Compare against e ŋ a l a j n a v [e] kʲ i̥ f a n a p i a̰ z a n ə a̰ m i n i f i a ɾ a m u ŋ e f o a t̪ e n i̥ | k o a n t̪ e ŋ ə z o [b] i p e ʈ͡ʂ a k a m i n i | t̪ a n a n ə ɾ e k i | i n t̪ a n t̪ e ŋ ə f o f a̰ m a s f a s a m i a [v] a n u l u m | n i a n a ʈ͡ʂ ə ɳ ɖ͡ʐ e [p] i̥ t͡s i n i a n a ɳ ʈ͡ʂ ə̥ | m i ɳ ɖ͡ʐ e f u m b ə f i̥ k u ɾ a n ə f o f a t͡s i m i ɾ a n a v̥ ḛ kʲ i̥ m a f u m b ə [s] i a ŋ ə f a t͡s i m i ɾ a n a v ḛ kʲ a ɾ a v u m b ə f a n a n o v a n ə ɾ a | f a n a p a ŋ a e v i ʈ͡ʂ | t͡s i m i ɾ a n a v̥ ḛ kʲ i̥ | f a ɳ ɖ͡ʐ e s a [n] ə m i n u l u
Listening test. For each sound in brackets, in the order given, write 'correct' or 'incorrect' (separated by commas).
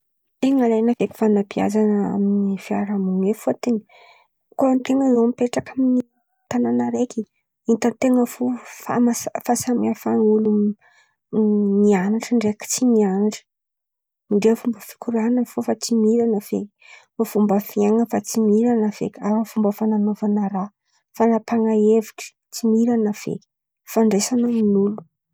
correct, incorrect, incorrect, incorrect, incorrect, correct